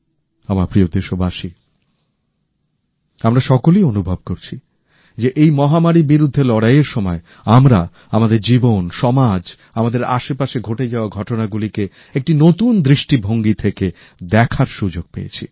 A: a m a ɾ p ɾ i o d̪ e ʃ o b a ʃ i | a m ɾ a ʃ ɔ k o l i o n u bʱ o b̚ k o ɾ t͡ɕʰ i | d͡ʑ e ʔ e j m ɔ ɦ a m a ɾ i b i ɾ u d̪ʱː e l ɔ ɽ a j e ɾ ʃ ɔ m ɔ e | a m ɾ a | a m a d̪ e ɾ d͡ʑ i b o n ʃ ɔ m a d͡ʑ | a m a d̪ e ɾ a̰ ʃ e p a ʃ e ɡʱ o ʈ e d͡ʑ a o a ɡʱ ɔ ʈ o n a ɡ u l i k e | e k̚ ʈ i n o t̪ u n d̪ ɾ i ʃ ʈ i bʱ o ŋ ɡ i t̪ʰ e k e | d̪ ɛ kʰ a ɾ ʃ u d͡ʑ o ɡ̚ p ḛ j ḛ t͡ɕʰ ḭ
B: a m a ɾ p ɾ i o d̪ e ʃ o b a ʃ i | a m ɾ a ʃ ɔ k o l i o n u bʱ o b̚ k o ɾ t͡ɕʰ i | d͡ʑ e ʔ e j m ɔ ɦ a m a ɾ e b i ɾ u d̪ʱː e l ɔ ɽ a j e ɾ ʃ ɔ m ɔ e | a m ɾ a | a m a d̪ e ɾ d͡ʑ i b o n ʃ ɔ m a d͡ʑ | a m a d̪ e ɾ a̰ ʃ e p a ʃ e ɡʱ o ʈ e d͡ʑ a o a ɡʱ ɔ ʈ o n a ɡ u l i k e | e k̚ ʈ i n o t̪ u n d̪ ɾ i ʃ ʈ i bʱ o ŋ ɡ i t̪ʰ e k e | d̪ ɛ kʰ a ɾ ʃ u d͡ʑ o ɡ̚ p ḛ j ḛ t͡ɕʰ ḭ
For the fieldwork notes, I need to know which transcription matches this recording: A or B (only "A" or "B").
A